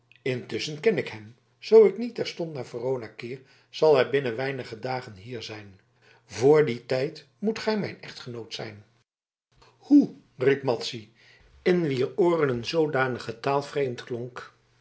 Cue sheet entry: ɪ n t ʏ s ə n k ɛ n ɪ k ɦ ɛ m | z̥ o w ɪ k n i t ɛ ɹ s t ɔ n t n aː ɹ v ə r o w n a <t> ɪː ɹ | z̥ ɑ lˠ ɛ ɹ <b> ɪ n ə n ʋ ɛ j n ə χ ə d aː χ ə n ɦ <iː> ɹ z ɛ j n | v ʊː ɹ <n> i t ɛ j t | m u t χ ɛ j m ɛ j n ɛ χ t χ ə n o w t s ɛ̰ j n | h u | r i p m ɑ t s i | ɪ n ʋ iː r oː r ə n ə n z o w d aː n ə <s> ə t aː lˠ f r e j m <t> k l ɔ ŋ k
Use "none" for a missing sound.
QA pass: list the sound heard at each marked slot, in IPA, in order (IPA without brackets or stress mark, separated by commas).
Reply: k, b, iː, d, χ, t